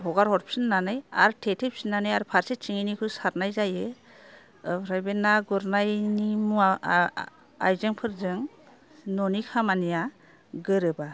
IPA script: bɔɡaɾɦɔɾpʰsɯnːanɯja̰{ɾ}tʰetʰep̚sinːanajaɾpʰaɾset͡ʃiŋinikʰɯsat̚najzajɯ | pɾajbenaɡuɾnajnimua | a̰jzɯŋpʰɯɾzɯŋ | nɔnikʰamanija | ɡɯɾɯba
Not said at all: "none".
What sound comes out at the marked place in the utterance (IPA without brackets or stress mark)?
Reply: ɾ